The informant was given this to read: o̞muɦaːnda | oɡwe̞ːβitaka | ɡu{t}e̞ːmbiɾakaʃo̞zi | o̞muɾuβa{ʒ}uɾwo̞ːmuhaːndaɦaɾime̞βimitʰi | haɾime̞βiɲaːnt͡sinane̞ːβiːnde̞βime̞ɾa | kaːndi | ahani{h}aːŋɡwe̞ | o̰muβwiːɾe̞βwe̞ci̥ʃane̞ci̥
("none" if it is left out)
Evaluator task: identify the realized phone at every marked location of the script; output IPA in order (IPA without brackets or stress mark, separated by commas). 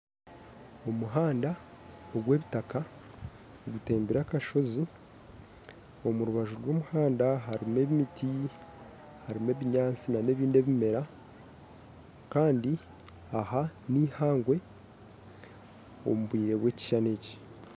t, ʒ, h